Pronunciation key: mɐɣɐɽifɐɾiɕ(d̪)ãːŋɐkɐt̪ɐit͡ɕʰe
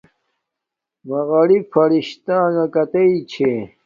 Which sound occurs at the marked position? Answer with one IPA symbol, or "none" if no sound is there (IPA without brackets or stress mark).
t̪